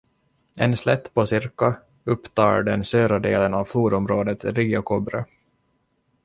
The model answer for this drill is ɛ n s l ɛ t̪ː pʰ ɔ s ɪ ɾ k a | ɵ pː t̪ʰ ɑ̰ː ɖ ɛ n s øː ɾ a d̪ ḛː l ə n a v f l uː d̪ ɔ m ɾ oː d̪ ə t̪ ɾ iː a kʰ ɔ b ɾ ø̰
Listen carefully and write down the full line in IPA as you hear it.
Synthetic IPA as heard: ɛ n s l ɛ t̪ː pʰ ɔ s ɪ ɾ k a | ɵ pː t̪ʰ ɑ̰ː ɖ ɛ n s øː ɾ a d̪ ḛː l ə n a v f l uː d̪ ɔ m ɾ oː d̪ ə t̪ ɾ iː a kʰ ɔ b ɾ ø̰